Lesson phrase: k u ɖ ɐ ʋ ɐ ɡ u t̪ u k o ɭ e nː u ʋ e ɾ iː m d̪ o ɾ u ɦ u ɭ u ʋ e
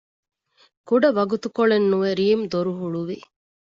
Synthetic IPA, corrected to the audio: k u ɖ ɐ ʋ ɐ ɡ u t̪ u k o ɭ e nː u ʋ e ɾ iː m d̪ o ɾ u ɦ u ɭ u ʋ i